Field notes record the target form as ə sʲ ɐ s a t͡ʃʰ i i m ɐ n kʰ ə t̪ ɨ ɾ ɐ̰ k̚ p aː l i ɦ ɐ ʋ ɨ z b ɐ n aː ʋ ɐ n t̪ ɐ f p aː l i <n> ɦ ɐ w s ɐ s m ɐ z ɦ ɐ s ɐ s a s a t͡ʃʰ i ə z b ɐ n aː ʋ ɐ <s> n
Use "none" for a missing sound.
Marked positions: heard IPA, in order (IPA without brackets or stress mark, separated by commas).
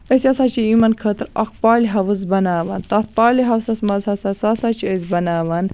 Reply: none, none